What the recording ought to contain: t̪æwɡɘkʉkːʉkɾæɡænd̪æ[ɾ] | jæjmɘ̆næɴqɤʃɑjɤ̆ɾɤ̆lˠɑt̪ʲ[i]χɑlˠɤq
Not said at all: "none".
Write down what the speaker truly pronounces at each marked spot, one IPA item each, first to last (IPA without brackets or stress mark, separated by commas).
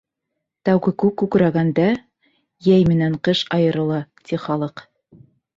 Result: none, i